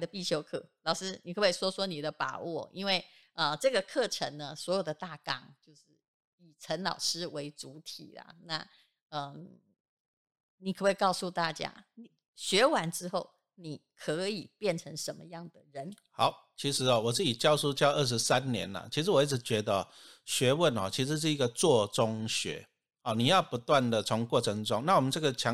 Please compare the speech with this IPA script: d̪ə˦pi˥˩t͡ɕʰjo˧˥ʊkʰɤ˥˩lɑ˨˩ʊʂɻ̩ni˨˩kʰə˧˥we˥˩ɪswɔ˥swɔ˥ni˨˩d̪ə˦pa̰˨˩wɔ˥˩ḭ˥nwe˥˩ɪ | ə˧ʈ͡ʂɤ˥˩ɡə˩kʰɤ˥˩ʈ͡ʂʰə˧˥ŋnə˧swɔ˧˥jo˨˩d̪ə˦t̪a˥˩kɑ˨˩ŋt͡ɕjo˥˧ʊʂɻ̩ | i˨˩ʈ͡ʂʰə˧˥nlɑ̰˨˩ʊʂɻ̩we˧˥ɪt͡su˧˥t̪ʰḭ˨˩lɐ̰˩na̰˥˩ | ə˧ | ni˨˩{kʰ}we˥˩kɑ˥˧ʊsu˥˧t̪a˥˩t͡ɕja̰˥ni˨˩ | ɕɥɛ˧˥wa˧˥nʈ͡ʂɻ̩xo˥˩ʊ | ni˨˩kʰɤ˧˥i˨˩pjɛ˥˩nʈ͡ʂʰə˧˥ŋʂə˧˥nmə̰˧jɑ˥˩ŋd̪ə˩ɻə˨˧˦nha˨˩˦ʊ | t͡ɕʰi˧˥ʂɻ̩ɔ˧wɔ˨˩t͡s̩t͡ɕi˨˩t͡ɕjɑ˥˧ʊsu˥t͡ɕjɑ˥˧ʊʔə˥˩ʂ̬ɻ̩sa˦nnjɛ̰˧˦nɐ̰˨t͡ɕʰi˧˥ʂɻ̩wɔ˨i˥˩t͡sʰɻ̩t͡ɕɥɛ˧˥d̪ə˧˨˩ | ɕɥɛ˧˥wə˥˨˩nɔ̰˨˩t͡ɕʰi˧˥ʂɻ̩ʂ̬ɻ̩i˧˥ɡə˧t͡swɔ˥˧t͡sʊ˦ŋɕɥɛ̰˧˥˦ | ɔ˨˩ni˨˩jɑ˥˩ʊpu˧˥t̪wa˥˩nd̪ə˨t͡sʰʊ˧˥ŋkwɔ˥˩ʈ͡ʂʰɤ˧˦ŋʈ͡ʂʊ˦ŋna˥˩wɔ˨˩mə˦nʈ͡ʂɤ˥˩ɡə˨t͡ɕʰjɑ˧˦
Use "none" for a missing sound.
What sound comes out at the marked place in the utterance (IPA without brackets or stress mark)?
kʰ